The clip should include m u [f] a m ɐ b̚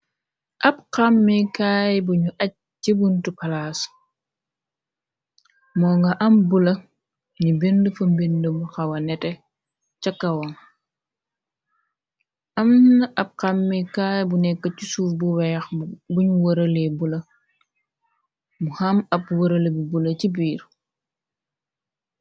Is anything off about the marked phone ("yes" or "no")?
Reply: yes